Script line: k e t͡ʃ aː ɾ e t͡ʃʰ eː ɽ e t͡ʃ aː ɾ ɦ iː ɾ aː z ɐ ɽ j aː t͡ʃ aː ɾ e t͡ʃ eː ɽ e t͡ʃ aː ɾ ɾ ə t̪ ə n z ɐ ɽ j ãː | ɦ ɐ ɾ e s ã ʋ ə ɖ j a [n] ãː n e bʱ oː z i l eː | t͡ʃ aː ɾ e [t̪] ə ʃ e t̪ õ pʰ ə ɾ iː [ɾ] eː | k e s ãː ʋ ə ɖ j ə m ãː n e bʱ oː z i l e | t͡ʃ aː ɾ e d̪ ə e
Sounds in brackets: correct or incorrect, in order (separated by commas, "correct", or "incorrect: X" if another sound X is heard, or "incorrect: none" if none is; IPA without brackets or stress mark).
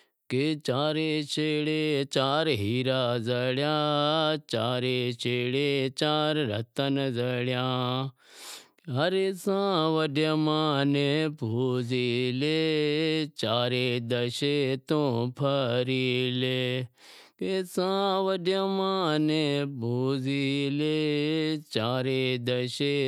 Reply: incorrect: m, incorrect: d̪, incorrect: l